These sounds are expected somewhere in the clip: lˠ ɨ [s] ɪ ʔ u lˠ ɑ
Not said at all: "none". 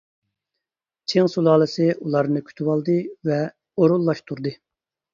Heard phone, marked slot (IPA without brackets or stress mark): s